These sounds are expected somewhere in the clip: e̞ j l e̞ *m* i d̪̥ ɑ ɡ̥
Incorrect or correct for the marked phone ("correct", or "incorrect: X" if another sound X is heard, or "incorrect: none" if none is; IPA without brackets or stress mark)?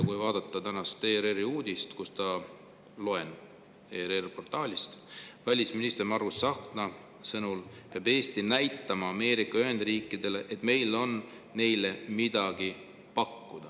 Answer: correct